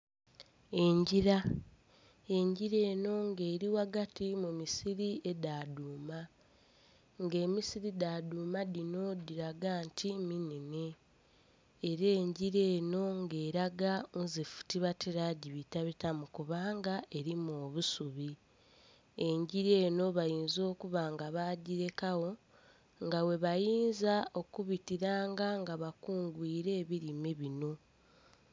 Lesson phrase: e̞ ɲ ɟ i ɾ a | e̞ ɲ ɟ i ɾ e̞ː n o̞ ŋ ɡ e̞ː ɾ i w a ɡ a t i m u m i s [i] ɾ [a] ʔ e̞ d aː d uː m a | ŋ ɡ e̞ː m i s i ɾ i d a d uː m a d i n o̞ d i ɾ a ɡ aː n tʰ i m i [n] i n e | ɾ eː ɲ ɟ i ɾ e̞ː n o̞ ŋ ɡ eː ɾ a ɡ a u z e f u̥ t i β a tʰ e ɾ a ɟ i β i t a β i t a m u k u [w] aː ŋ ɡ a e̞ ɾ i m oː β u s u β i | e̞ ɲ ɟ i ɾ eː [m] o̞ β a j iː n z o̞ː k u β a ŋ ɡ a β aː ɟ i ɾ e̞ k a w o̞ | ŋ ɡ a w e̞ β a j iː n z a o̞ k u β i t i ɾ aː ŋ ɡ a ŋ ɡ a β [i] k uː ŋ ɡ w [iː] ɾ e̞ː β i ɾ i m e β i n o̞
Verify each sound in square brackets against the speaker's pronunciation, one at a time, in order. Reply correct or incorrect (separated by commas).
correct, incorrect, correct, incorrect, incorrect, incorrect, correct